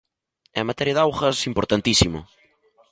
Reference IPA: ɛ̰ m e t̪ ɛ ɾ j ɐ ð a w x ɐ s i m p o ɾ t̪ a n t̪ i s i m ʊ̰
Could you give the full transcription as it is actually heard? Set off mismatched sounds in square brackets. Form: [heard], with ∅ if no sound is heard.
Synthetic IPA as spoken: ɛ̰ m [a] t̪ ɛ ɾ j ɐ ð a w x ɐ s i m p o ɾ t̪ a n t̪ i s i m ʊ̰